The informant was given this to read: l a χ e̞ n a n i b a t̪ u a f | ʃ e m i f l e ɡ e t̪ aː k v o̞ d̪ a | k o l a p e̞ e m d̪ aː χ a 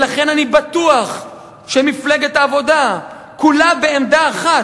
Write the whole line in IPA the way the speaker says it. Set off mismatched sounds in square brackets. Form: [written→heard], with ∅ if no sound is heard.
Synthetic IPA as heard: l a χ e̞ n a n i b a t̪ u a [f→χ] | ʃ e m i f l e ɡ e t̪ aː [k→∅] v o̞ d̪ a | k [o→u] l a [p→b] e̞ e m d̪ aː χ a